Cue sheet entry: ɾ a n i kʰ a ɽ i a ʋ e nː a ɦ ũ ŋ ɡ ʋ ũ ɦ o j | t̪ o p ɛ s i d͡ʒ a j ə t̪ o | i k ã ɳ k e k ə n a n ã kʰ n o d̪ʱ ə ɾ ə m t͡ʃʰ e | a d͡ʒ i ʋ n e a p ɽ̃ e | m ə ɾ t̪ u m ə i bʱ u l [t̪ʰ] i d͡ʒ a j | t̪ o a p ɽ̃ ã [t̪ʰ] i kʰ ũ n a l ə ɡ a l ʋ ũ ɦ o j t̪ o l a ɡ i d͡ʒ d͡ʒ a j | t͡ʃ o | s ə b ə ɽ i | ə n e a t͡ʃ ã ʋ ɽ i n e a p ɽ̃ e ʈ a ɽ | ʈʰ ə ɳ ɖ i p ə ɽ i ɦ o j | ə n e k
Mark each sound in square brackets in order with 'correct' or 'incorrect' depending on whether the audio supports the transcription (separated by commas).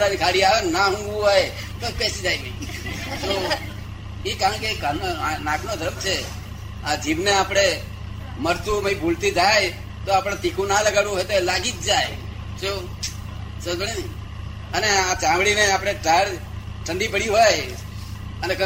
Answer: incorrect, incorrect